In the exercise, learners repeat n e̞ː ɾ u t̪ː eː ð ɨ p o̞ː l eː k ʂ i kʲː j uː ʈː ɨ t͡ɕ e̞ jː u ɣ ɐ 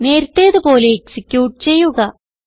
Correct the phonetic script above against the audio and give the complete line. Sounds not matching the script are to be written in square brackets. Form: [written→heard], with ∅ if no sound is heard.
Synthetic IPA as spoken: n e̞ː ɾ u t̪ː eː ð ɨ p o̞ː l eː k [ʂ→s] i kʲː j uː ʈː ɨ t͡ɕ e̞ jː u ɣ ɐ